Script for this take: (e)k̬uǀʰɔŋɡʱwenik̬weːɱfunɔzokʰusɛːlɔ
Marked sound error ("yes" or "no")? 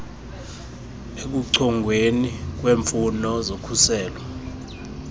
no